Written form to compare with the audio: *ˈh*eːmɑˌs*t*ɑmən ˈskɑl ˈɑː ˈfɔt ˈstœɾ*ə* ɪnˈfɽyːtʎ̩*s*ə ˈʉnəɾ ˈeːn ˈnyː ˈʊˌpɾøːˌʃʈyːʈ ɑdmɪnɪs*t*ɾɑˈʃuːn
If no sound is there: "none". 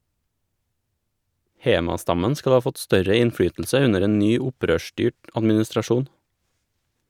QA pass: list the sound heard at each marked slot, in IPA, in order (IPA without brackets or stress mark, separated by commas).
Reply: h, t, ə, s, t